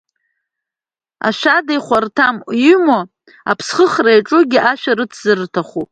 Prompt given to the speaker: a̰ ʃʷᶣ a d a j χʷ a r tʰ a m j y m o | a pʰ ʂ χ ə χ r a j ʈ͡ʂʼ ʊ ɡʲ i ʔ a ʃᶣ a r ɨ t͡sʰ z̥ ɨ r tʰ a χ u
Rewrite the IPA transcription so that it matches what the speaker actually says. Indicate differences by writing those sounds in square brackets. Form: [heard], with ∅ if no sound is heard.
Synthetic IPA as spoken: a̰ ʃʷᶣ a d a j χʷ a r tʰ a m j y m o | a pʰ [s] χ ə χ r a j ʈ͡ʂʼ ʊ ɡʲ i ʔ a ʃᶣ a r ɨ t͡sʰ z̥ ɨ r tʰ a χ u